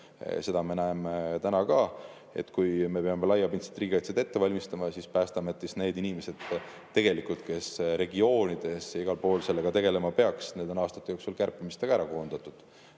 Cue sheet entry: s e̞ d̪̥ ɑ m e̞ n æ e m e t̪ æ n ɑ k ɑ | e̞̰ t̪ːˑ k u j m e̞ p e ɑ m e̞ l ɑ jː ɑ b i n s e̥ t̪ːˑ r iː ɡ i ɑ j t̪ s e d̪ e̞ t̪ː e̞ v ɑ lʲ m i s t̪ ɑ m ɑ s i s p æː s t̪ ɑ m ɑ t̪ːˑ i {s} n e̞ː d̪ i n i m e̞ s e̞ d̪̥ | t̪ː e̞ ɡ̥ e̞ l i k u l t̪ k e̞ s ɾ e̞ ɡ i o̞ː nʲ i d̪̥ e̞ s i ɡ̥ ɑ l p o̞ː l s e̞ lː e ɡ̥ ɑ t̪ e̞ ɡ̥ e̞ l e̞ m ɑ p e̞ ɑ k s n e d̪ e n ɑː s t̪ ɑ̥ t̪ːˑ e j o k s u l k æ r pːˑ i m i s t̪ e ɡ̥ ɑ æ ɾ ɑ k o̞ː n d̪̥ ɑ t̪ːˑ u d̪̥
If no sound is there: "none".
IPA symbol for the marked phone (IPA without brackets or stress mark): s